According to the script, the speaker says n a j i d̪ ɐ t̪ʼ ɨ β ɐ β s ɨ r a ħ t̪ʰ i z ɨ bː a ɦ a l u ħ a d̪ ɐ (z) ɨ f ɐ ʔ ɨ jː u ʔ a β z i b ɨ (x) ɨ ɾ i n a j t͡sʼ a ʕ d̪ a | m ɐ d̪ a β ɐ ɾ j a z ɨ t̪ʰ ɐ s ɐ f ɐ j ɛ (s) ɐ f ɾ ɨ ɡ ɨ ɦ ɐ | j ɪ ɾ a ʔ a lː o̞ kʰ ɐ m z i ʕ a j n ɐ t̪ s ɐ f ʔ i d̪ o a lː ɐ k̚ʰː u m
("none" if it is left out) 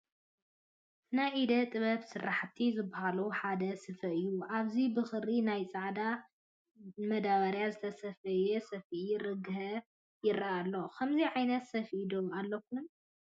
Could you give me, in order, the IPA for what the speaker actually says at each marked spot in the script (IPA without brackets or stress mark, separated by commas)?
s, x, s